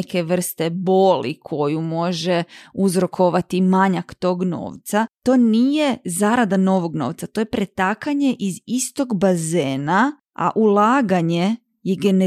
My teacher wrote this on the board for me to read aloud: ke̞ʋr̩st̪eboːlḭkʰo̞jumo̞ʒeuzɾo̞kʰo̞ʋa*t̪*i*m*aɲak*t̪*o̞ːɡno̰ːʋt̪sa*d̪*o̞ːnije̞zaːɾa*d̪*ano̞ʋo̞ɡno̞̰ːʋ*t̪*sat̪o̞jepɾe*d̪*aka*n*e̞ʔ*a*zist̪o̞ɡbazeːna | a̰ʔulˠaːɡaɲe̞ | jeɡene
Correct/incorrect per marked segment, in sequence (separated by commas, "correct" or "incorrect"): correct, correct, correct, incorrect, correct, correct, incorrect, incorrect, incorrect